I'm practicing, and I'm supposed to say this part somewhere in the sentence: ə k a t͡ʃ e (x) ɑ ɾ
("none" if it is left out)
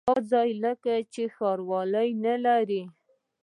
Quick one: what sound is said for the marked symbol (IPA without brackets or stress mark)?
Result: x